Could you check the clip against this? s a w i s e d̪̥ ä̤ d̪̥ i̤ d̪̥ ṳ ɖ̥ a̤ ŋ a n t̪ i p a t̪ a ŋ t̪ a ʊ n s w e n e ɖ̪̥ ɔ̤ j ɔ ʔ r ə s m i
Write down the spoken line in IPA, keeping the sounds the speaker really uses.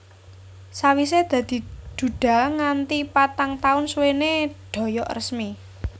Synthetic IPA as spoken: s a w i s e d̪̥ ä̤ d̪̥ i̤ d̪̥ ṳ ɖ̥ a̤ ŋ a n t̪ i p a t̪ a ŋ t̪ a ʊ n s w e n e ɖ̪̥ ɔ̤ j ɔ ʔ r ə s m i